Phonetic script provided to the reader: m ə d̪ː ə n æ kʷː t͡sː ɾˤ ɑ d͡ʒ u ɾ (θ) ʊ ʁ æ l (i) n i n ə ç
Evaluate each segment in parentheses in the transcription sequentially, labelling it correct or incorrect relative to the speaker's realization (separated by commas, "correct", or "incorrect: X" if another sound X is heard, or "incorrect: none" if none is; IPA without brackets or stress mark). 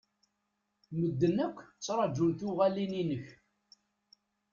correct, correct